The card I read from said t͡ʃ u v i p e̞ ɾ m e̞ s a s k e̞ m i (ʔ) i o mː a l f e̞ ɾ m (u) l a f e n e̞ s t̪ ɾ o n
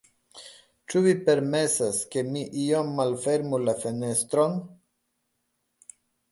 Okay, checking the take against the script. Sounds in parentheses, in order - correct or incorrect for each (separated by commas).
correct, correct